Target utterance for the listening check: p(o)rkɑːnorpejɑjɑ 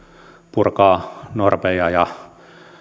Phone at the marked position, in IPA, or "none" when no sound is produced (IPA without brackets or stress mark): u